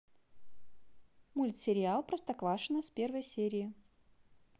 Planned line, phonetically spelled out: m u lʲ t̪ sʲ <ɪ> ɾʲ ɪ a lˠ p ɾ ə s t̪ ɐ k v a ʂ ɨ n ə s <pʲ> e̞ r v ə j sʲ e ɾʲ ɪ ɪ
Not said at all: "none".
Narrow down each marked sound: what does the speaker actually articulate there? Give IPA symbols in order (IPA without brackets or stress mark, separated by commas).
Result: ɪ, pʲ